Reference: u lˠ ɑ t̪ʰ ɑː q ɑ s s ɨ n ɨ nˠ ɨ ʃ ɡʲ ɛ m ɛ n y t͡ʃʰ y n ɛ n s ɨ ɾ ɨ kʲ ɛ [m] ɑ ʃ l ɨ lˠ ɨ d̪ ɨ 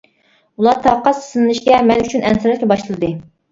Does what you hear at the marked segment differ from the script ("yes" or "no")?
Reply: yes